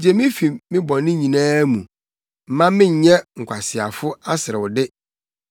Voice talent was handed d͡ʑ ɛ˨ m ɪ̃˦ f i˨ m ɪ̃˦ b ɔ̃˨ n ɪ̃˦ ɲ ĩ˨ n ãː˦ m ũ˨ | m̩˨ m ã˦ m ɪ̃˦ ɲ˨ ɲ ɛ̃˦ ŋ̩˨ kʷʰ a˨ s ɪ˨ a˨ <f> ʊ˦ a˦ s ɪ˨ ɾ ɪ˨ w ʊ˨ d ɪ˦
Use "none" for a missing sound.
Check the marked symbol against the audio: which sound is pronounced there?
f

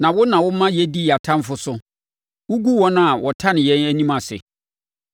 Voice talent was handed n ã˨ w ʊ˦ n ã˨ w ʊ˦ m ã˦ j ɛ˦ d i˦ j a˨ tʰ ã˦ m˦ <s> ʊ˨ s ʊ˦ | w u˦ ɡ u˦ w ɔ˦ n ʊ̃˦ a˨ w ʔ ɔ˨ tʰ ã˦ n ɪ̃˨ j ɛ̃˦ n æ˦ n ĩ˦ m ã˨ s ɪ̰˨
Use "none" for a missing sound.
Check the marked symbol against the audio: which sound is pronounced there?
f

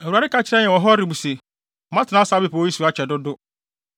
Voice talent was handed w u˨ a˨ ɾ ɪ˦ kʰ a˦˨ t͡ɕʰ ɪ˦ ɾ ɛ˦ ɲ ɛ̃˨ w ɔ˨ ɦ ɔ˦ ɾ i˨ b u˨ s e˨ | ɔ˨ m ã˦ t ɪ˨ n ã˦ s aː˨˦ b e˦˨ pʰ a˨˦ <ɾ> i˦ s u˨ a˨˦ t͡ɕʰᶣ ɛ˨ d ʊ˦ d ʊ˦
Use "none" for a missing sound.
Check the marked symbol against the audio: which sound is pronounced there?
none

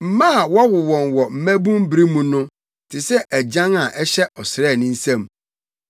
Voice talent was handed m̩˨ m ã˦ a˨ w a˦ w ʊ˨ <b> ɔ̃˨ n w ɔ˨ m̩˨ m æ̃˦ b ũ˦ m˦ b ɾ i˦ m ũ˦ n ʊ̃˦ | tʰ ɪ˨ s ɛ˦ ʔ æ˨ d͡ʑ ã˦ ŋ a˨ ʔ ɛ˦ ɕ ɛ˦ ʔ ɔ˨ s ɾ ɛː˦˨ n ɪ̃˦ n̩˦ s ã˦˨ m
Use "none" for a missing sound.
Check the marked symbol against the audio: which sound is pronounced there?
w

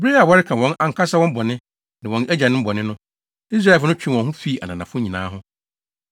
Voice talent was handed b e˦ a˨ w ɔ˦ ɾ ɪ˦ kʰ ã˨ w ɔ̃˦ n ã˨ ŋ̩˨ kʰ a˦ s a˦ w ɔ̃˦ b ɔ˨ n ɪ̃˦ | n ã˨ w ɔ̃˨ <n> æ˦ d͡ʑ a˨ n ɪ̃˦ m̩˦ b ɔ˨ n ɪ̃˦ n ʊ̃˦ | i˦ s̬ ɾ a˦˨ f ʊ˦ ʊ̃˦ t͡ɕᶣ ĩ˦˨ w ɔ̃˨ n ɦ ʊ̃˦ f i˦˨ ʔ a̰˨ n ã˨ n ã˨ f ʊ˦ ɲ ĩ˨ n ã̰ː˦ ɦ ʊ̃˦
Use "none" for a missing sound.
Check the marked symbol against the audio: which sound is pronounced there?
n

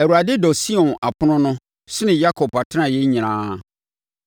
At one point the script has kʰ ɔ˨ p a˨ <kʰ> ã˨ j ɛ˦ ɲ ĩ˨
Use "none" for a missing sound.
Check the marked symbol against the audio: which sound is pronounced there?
tʰ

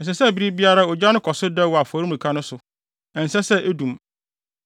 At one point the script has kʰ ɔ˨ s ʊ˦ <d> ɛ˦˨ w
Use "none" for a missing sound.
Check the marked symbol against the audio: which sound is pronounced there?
d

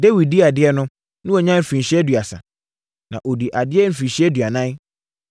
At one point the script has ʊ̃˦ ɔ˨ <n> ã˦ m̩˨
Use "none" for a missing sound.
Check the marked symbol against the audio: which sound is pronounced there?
ɲ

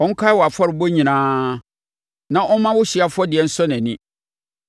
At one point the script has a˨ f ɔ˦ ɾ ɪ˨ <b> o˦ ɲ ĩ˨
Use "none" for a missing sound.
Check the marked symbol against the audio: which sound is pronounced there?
b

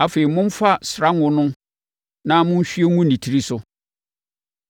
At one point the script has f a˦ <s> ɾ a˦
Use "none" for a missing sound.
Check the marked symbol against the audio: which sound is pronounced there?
s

